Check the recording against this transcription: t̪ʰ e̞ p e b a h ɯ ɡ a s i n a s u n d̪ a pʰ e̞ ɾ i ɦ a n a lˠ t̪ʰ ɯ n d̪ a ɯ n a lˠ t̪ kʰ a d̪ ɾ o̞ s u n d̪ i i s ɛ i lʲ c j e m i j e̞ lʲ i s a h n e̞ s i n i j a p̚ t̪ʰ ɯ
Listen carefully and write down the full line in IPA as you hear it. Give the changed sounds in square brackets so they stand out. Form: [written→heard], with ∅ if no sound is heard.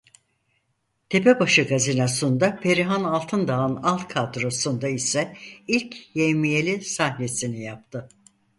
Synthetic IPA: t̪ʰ e̞ p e b a [h→ʃ] ɯ ɡ a [s→z] i n a s u n d̪ a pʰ e̞ ɾ i ɦ a n a lˠ t̪ʰ ɯ n d̪ a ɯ n a lˠ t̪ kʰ a d̪ ɾ o̞ s u n d̪ [i→a] i s ɛ i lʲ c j e m i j e̞ lʲ i s a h n e̞ s i n i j a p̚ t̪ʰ ɯ

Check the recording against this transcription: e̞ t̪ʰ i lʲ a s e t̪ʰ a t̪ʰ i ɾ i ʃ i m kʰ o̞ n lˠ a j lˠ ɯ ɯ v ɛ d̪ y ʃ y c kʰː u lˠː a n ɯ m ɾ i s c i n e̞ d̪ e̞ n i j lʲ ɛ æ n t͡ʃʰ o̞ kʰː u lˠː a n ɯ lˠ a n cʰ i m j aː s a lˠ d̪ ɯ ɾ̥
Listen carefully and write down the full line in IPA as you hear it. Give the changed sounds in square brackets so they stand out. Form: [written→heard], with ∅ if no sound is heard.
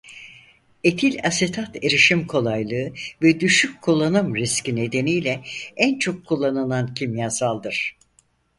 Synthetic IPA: e̞ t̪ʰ i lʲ a s e t̪ʰ a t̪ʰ [i→e] ɾ i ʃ i m kʰ o̞ [n→∅] lˠ a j lˠ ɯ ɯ v ɛ d̪ y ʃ y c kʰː u lˠː a n ɯ m ɾ i s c i n e̞ d̪ e̞ n i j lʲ ɛ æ n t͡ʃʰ o̞ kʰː u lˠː a n ɯ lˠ a n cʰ i m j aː s a lˠ d̪ ɯ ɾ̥

